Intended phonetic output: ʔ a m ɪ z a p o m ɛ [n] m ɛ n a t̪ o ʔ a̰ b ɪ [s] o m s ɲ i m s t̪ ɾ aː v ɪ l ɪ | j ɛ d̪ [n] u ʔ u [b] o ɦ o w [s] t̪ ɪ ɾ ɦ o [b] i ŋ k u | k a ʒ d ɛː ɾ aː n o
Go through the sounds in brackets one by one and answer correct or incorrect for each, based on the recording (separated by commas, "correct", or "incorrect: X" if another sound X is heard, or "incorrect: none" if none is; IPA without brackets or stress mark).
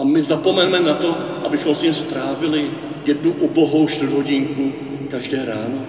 correct, incorrect: x, correct, correct, incorrect: ʃ, incorrect: ɟ